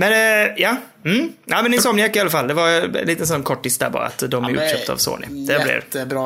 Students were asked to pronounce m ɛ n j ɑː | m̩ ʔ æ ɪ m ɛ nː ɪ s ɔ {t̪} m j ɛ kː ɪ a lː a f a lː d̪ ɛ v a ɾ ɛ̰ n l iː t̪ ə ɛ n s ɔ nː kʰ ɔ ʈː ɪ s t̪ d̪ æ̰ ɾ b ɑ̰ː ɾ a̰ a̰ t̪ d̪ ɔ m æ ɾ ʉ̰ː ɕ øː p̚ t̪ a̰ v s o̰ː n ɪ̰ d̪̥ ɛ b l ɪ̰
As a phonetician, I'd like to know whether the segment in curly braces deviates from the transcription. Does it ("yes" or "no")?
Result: yes